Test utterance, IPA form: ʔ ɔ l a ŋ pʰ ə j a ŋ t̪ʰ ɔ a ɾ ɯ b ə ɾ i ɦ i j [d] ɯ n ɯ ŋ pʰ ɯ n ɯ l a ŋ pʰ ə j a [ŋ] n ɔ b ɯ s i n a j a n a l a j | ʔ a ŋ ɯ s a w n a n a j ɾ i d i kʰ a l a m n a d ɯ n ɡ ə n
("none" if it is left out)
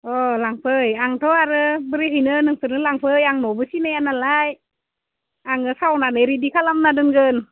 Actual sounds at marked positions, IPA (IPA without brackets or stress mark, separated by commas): n, ŋ